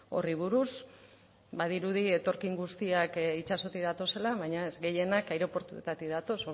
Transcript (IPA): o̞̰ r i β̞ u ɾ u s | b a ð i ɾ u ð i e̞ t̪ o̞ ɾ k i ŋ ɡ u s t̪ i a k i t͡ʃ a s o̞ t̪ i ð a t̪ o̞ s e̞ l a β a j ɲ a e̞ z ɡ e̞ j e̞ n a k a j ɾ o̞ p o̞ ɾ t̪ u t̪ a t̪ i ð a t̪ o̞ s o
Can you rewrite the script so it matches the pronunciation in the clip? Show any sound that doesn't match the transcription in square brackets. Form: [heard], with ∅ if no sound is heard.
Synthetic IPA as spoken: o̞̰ r i β̞ u ɾ u s | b a ð i ɾ u ð i e̞ t̪ o̞ ɾ k i ŋ ɡ u s t̪ i a k i t͡ʃ a s o̞ t̪ i ð a t̪ o̞ s e̞ l a β a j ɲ a e̞ z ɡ e̞ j e̞ n a k a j ɾ o̞ p o̞ ɾ t̪ u t̪ a t̪ i ð a t̪ o̞ s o